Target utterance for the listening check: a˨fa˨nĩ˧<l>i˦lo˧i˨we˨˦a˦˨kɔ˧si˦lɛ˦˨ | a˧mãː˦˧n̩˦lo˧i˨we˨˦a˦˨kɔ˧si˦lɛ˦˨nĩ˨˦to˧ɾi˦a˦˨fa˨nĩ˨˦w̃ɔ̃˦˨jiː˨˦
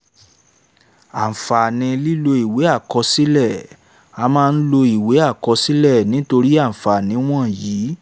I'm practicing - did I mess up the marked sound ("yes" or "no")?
no